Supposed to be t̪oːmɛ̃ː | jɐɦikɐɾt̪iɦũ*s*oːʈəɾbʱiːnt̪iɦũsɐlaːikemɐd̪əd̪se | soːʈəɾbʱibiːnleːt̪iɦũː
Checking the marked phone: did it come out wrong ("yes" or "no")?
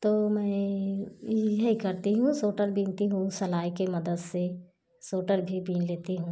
no